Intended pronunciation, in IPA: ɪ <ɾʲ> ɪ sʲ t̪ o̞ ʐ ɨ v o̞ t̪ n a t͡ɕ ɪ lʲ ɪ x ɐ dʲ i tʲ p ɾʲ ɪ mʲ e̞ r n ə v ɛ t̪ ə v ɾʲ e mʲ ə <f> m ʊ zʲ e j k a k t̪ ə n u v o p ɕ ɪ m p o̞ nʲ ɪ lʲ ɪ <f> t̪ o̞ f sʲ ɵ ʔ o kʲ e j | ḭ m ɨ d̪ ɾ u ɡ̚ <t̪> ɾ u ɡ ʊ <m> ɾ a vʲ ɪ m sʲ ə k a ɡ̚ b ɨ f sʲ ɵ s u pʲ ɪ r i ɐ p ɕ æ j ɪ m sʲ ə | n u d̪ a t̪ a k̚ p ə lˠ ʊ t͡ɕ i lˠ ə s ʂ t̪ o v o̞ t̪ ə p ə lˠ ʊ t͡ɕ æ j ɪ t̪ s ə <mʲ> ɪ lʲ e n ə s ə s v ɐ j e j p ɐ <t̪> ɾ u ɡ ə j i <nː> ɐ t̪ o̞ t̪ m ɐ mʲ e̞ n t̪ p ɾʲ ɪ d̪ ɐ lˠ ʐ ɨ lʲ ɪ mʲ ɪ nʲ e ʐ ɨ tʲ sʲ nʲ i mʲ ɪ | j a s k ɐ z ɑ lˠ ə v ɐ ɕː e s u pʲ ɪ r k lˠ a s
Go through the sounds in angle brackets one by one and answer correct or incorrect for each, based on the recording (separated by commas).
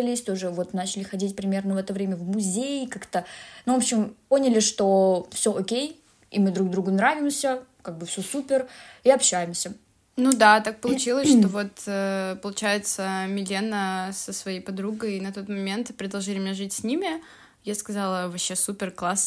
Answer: incorrect, incorrect, incorrect, incorrect, incorrect, correct, incorrect, incorrect